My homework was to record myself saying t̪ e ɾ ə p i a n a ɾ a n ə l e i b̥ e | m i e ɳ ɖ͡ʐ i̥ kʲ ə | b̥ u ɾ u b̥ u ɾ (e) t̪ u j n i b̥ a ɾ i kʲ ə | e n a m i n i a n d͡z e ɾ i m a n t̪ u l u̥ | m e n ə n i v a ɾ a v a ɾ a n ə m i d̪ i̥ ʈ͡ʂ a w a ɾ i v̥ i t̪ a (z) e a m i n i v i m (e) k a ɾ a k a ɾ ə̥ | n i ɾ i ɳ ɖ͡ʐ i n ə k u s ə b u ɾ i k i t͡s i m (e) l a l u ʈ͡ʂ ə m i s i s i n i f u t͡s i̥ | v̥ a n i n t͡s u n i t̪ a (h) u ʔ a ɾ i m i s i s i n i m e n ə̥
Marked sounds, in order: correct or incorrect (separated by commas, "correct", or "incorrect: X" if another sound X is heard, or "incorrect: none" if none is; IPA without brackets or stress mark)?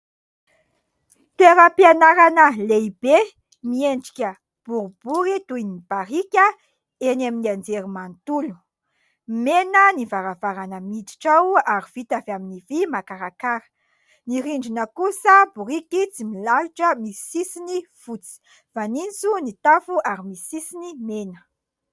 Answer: incorrect: i, incorrect: v, incorrect: a, incorrect: i, incorrect: f